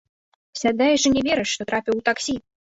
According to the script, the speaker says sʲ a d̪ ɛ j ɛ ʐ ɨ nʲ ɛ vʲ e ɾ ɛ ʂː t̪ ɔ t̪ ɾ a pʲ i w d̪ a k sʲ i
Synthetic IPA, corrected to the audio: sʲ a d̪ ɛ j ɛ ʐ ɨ nʲ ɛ vʲ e ɾ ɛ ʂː t̪ ɔ t̪ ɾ a pʲ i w t̪ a k sʲ i